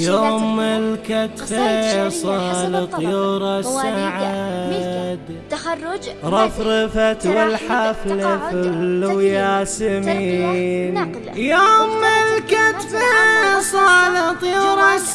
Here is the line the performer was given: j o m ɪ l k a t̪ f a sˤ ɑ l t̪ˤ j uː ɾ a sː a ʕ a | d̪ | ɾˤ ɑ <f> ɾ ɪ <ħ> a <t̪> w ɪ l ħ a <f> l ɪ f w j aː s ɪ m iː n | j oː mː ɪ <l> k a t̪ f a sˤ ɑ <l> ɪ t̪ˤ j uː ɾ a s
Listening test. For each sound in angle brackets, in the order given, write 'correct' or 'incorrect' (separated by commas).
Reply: correct, incorrect, correct, correct, correct, correct